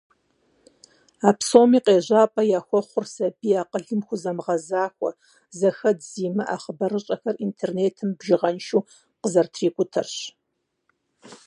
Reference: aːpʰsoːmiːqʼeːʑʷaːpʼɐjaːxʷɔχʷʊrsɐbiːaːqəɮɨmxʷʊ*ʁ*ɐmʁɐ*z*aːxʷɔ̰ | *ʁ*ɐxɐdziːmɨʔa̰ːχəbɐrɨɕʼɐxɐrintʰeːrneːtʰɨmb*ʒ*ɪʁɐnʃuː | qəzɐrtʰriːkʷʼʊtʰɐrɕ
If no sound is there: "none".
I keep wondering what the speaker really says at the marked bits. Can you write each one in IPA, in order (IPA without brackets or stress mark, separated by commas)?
z, z, z, ʒ